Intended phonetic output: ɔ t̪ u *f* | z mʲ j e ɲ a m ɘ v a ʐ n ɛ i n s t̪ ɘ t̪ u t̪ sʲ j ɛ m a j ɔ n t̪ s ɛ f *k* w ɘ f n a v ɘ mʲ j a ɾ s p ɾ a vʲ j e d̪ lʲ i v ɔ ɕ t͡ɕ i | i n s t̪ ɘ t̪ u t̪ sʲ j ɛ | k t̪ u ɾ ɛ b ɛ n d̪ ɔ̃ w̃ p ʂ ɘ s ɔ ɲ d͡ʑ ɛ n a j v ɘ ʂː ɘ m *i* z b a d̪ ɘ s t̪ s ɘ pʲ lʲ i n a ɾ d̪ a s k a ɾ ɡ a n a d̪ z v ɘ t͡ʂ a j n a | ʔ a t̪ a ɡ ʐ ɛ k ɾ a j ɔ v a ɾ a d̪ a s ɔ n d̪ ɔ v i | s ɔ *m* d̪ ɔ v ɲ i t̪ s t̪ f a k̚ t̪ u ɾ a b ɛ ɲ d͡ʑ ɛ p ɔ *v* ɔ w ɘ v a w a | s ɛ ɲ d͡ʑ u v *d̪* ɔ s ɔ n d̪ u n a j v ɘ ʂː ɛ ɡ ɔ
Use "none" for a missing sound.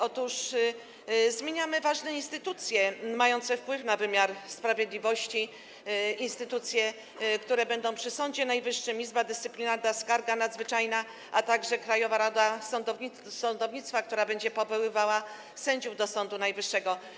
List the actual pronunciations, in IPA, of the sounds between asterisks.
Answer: ʂ, p, i, n, v, d̪

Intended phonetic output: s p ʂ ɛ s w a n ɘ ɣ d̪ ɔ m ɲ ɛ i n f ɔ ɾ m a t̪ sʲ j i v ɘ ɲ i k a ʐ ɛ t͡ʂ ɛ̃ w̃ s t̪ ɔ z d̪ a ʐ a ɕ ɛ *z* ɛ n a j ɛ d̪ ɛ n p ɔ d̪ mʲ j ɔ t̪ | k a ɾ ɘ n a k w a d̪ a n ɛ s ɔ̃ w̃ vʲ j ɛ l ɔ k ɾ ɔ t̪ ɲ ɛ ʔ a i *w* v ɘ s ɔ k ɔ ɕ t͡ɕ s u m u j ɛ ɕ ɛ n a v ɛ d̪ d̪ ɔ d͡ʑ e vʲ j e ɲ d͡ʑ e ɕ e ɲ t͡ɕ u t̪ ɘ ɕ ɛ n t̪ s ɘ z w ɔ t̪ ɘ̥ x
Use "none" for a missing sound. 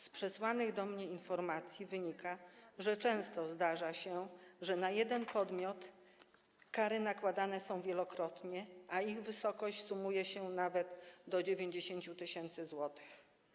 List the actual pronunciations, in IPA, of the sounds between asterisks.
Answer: ʐ, ɣ

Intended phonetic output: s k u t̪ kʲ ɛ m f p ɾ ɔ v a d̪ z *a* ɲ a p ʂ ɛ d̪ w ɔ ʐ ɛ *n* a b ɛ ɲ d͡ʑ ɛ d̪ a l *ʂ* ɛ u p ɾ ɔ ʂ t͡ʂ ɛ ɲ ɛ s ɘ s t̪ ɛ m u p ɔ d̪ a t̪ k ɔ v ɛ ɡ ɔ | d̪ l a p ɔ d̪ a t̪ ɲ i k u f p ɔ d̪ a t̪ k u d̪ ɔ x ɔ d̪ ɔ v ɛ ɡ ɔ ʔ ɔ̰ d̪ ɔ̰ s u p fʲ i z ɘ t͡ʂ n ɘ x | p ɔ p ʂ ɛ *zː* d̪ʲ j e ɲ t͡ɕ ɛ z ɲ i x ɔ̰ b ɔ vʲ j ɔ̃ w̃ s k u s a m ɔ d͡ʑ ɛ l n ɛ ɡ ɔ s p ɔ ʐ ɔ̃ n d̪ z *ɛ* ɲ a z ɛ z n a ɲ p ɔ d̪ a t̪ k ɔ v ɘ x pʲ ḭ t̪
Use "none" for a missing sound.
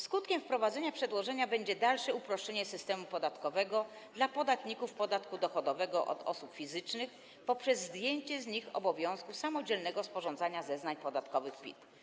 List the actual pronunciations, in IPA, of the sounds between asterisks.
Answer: ɛ, ɲ, ʂ, zː, a

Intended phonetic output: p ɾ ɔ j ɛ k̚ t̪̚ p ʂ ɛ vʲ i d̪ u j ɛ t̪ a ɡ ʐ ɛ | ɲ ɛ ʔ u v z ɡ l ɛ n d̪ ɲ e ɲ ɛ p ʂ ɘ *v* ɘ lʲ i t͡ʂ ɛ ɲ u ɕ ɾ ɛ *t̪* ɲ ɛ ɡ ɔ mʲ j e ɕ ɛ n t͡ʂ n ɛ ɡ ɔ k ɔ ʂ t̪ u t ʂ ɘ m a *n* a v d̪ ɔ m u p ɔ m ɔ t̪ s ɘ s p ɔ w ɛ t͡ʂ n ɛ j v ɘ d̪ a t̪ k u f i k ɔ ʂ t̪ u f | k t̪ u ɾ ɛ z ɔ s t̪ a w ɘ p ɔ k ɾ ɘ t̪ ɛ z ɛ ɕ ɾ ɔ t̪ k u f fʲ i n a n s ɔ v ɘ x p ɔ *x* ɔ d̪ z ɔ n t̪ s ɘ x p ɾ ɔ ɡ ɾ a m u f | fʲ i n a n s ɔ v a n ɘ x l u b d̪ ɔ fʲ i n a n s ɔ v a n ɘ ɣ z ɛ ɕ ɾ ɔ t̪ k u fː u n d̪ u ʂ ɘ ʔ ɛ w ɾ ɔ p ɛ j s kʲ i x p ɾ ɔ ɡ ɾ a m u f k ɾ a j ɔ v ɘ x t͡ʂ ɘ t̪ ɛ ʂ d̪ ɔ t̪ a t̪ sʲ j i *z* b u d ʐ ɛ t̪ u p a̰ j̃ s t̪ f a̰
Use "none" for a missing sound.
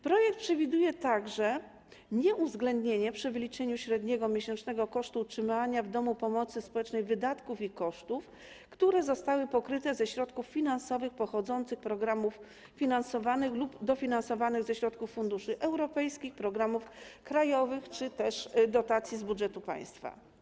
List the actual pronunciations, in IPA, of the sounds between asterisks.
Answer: v, d̪, ɲ, x, z

